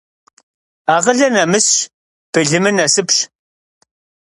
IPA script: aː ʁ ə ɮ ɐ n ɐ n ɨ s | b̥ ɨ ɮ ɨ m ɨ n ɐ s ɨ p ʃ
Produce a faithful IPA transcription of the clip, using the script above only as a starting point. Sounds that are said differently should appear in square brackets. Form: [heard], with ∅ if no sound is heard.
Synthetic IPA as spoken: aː ʁ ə ɮ ɐ n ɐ [m] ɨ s | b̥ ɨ ɮ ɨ m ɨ n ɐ s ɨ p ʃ